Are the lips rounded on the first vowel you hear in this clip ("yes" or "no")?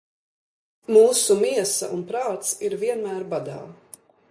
yes